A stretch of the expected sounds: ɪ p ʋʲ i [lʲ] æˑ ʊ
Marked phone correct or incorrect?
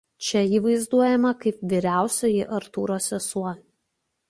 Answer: incorrect